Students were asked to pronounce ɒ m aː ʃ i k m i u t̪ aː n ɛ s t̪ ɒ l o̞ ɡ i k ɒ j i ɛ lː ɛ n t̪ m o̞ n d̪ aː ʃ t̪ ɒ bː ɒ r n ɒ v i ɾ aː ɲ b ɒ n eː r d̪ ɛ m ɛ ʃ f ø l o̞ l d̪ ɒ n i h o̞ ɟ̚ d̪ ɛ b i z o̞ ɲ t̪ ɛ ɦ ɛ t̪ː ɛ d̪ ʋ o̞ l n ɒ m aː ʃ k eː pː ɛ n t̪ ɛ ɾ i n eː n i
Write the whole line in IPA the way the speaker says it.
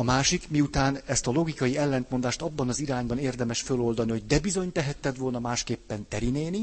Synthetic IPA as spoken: ɒ m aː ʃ i k m i u t̪ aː n ɛ s t̪ ɒ l o̞ ɡ i k ɒ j i ɛ lː ɛ n t̪ m o̞ n d̪ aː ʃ t̪ ɒ bː ɒ n ɒ z i ɾ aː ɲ b ɒ n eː r d̪ ɛ m ɛ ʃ f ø l o̞ l d̪ ɒ n i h o̞ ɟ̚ d̪ ɛ b i z o̞ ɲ t̪ ɛ ɦ ɛ t̪ː ɛ d̪ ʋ o̞ l n ɒ m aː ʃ k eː pː ɛ n t̪ ɛ ɾ i n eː n i